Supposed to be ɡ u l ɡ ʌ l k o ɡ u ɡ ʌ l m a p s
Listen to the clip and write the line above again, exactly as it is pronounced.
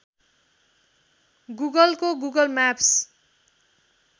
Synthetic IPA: ɡ u ɡ ʌ l k o ɡ u ɡ ʌ l m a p s